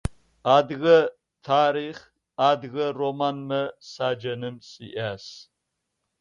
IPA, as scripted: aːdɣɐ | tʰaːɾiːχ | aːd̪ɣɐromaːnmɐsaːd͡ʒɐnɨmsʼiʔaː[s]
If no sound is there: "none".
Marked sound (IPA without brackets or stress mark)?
s